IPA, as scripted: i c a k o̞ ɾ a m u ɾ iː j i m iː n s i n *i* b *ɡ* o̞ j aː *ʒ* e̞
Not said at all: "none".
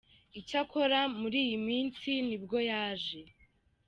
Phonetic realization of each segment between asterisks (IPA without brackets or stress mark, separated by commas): i, ɡ, ʒ